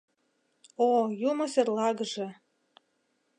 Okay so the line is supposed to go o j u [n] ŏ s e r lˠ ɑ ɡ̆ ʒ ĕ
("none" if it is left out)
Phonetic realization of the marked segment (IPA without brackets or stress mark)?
m